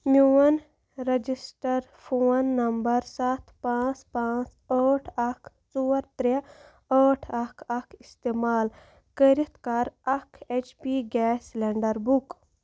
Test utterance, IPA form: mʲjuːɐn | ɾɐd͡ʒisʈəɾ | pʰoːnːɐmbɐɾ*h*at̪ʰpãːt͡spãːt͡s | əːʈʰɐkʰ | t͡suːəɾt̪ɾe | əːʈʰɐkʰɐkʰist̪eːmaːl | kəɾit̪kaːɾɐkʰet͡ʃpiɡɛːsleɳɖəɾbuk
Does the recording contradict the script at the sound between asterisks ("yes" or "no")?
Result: yes